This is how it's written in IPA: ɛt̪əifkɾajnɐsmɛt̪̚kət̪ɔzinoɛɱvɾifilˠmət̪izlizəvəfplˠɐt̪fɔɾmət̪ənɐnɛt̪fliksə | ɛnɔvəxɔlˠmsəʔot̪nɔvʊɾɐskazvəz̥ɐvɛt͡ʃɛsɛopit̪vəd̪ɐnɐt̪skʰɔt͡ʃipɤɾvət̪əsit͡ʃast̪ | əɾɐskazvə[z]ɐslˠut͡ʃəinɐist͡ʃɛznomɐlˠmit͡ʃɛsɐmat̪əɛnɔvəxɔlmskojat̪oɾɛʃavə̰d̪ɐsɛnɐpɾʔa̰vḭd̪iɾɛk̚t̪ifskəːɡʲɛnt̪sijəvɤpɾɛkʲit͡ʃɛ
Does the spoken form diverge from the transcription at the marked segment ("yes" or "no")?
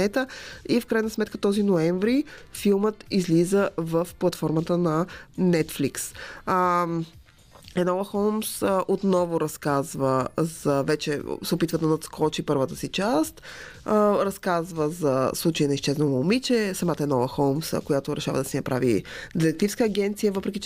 no